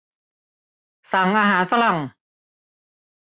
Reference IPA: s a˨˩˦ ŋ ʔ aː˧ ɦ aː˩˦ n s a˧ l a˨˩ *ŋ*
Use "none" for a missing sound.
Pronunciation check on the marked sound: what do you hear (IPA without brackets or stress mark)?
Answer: ŋ